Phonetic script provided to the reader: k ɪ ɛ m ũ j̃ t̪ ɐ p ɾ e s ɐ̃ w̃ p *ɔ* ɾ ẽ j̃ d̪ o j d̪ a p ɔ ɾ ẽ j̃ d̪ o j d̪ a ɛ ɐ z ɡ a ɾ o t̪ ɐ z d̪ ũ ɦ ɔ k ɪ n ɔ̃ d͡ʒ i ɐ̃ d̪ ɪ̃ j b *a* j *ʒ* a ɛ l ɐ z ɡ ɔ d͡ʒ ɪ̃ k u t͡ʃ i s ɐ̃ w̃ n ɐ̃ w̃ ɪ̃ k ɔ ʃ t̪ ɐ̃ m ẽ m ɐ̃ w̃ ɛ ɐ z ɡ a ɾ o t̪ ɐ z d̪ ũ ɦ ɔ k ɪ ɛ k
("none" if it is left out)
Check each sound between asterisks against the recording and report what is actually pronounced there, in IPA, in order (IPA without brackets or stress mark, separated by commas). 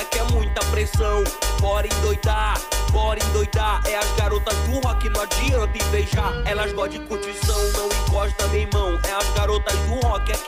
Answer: ɔ, e, ʒ